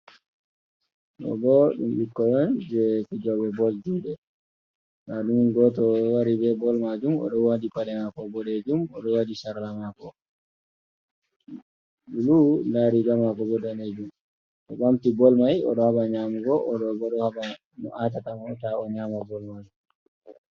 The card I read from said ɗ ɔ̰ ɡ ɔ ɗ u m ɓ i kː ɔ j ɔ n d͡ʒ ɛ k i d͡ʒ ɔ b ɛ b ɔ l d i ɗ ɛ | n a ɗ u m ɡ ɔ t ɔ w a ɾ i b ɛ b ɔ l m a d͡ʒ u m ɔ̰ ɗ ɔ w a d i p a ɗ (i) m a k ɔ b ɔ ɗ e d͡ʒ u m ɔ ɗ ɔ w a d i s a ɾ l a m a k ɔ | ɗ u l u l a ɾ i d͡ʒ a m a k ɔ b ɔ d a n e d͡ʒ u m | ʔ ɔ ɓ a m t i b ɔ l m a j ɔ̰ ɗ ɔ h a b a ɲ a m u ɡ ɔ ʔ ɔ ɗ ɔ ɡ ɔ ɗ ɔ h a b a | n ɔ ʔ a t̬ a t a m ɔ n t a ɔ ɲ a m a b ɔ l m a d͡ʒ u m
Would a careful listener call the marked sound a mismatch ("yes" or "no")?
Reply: yes